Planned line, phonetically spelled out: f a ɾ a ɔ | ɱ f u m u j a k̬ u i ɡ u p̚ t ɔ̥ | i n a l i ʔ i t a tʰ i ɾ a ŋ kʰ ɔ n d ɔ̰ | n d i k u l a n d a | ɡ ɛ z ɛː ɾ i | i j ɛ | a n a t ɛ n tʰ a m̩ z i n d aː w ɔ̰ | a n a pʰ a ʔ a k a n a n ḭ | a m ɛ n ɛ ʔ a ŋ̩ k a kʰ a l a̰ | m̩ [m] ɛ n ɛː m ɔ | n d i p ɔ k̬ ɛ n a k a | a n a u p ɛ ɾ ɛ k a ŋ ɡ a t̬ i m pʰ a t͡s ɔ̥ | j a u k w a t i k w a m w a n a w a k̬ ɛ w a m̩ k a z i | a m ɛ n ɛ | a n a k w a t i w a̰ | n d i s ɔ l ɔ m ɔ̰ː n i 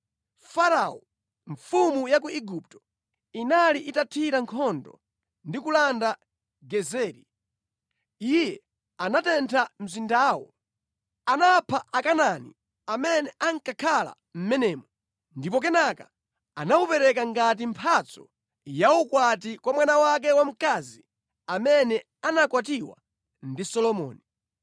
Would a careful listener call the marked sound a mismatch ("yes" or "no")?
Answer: no